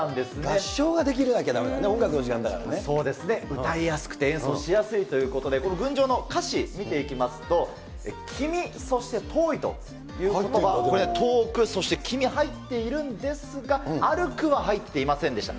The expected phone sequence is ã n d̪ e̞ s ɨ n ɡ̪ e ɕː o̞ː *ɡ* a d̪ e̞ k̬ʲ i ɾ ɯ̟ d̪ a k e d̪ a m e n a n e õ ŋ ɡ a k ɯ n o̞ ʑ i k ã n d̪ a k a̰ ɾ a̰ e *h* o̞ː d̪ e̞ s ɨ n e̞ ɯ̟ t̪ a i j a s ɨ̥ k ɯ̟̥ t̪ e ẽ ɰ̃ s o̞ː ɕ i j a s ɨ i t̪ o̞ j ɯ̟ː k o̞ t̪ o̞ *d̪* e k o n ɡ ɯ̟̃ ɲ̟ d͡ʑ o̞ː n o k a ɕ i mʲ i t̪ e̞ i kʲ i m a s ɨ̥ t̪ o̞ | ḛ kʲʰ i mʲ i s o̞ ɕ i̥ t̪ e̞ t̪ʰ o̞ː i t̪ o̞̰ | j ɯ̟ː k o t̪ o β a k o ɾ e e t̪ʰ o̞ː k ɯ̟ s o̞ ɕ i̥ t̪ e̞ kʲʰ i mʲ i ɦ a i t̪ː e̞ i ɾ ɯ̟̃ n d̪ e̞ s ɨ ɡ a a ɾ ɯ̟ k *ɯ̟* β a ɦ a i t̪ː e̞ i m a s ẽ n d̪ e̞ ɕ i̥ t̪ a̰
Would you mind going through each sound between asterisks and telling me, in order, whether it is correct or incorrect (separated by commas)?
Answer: correct, incorrect, correct, correct